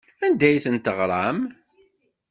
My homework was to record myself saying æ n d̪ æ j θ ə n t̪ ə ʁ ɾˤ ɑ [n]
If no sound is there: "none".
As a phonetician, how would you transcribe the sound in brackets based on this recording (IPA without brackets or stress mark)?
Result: m